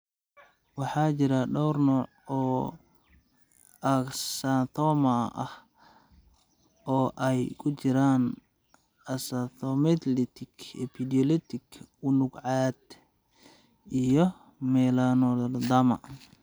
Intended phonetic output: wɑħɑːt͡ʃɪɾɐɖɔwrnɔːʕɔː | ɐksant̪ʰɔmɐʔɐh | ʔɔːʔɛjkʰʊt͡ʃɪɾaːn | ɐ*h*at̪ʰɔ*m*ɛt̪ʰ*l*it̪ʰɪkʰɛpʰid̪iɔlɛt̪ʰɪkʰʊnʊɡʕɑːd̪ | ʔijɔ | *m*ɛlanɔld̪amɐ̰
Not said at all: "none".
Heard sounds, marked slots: s, m, l, m

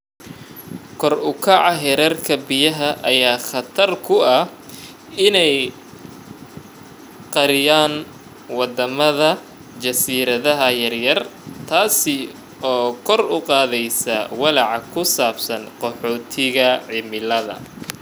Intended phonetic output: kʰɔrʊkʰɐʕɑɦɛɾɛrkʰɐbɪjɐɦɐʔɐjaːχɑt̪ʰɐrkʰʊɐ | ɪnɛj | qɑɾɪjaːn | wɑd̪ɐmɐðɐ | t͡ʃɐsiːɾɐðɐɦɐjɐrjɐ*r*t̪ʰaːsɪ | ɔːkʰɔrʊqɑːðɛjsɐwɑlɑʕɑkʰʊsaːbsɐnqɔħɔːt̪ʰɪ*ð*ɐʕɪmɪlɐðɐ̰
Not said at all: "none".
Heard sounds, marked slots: r, ɣ

